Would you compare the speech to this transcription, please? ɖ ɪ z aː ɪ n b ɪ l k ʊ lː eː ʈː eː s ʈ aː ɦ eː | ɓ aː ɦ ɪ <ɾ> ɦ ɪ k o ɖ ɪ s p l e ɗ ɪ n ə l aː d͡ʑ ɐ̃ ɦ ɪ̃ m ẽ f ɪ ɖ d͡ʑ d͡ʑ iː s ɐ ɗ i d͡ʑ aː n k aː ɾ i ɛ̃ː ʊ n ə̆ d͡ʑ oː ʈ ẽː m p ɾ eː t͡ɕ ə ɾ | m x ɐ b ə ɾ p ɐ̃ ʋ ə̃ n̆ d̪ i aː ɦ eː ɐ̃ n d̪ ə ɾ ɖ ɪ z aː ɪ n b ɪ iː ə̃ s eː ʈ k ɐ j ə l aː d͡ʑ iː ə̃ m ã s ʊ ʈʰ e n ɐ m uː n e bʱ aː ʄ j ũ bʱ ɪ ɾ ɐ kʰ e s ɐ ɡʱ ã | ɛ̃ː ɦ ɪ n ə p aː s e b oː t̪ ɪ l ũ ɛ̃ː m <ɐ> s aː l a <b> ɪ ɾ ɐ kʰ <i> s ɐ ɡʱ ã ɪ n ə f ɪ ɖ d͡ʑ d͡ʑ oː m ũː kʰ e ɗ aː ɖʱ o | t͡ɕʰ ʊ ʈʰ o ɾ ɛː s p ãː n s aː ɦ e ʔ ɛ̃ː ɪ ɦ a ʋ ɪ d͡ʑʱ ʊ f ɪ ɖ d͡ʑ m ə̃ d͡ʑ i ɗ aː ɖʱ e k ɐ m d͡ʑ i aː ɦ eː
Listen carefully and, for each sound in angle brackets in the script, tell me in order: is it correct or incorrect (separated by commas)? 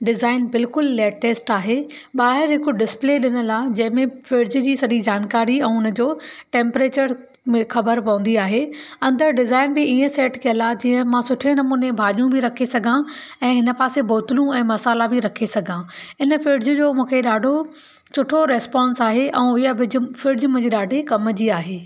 correct, correct, correct, incorrect